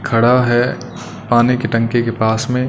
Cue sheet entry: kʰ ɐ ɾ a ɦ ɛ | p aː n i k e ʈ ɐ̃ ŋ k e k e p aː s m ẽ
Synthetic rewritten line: kʰ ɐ ɽ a ɦ ɛ | p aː n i k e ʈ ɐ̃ ŋ k e k e p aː s m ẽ